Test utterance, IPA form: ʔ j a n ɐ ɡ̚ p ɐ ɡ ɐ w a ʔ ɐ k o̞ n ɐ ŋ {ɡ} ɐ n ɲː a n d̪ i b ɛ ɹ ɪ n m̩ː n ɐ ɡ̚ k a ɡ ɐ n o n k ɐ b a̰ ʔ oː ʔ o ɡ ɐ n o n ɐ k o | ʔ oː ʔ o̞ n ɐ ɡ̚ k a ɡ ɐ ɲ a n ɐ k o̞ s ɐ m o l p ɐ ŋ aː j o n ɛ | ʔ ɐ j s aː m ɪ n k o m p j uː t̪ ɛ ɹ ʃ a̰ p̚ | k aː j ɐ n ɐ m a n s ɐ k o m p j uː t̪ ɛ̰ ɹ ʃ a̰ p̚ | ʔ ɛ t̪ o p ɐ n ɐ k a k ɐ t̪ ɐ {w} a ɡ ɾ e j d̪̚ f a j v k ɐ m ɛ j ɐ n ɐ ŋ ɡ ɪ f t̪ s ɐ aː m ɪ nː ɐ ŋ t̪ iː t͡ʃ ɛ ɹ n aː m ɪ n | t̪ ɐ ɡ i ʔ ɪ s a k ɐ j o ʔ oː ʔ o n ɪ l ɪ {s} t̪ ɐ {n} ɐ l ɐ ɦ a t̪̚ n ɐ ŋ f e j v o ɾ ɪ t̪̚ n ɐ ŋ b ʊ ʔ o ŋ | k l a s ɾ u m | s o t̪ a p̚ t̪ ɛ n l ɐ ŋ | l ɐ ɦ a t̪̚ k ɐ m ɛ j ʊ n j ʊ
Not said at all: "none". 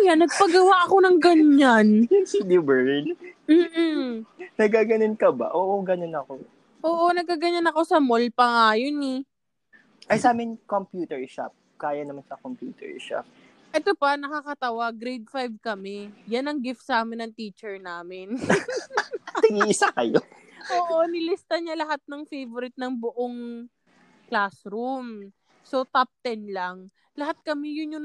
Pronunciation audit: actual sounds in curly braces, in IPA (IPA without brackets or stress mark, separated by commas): ɡ, w, s, ɲ